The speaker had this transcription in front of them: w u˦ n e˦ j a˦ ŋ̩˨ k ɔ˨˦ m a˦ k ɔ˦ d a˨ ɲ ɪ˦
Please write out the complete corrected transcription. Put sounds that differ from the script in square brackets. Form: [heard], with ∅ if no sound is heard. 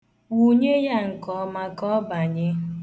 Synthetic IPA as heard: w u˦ [ɲ] e˦ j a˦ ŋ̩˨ k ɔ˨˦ m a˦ k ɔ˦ [b] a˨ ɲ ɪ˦